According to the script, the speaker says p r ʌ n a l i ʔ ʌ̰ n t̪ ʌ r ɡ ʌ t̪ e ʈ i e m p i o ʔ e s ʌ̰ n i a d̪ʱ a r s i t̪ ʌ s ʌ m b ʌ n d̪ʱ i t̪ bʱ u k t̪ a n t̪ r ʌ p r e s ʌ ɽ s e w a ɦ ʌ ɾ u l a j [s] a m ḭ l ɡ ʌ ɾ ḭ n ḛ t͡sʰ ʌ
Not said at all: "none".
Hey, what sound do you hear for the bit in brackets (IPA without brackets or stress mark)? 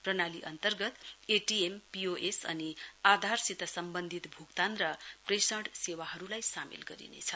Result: s